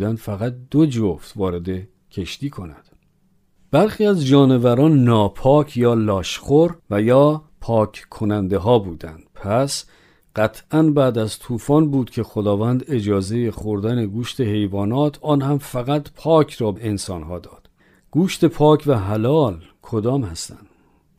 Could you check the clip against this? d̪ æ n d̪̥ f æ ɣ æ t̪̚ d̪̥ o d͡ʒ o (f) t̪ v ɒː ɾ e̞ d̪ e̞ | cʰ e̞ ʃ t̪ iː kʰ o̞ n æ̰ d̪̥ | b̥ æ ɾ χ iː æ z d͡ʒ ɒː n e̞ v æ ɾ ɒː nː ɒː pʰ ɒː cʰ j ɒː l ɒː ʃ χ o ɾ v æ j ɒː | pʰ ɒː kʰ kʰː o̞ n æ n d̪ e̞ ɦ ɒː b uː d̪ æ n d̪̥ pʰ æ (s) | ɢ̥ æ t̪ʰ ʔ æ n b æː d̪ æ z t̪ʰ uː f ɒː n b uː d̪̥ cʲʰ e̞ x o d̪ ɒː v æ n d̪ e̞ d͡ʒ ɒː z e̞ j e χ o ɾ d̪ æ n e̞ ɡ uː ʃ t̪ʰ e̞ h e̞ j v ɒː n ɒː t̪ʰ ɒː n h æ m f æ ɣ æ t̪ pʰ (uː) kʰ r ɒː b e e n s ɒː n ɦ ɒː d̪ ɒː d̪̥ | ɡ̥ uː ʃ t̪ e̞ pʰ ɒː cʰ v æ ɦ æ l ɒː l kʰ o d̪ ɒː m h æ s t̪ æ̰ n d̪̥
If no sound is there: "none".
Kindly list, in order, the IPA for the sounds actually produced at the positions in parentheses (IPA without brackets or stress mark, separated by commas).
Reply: f, s, ɒː